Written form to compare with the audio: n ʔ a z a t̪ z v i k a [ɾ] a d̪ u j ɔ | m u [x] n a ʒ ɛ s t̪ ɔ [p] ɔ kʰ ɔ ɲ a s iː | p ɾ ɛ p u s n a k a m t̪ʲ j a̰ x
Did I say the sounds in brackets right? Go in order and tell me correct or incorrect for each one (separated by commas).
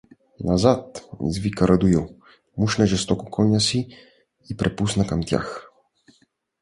correct, incorrect, incorrect